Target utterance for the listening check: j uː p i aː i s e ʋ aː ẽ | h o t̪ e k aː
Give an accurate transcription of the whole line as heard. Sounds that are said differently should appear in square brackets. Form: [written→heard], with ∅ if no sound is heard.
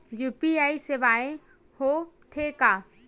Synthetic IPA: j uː p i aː i s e ʋ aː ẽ | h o [t̪→t̪ʰ] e k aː